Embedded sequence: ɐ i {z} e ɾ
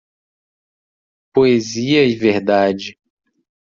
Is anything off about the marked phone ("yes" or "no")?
yes